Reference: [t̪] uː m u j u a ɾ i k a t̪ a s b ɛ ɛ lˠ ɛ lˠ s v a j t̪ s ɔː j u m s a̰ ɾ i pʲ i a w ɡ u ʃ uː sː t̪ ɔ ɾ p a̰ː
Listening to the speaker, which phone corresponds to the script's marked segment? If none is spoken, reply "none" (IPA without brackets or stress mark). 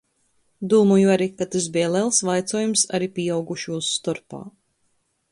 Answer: d̪